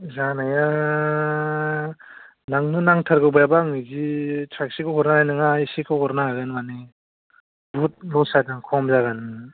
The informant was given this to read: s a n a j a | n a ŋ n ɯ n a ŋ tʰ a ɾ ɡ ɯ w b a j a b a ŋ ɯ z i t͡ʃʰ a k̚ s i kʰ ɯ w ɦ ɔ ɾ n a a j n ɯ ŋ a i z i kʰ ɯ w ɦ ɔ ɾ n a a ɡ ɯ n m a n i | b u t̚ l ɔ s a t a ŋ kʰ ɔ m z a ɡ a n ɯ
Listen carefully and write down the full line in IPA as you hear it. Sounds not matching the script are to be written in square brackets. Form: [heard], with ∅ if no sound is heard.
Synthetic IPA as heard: [z] a n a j a | n a ŋ n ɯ n a ŋ tʰ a ɾ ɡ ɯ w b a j a b a ŋ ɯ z i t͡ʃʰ a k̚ s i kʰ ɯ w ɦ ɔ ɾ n a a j n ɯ ŋ a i [s] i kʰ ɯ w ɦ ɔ ɾ n a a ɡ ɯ n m a n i | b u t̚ l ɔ s a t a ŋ kʰ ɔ m z a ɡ a n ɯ